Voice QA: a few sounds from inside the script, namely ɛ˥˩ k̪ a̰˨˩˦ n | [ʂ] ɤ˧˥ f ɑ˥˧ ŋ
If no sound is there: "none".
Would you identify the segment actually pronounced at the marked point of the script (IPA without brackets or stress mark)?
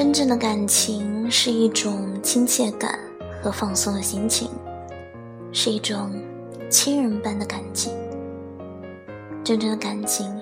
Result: x